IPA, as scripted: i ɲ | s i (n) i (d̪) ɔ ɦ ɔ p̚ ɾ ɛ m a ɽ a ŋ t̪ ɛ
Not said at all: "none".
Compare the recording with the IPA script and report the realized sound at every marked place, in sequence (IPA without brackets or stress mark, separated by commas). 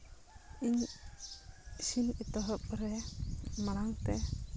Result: n, t̪